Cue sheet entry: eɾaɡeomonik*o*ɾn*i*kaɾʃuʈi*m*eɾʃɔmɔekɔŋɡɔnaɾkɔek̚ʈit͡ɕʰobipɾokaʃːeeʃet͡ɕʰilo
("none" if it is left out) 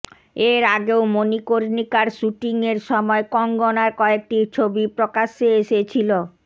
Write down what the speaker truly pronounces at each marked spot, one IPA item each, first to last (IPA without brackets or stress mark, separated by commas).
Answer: o, i, ŋ